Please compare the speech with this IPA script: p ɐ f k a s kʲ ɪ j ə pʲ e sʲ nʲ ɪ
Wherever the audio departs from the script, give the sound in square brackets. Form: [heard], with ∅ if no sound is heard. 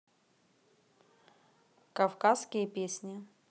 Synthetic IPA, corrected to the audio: [k] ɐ f k a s kʲ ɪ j ə pʲ e sʲ nʲ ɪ